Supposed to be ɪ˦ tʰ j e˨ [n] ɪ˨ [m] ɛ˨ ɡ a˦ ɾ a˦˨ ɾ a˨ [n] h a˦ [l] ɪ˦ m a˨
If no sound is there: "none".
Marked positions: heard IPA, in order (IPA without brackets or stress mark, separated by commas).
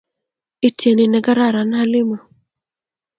n, n, n, l